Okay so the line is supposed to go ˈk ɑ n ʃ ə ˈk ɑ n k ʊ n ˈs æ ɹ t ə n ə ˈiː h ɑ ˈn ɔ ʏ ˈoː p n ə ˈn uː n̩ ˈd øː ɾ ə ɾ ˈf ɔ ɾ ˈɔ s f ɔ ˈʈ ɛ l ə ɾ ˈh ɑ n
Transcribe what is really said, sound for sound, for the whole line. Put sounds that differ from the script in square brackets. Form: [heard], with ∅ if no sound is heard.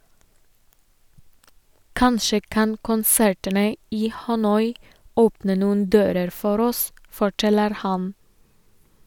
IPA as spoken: ˈk ɑ n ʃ ə ˈk ɑ n k ʊ n ˈs æ ɹ t ə n ə ˈiː h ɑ ˈn ɔ ʏ ˈoː p n ə ˈn uː n̩ ˈd øː ɾ ə ɾ ˈf ɔ ɾ ˈɔ s f ɔ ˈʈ ɛ l ə ɾ ˈh ɑ n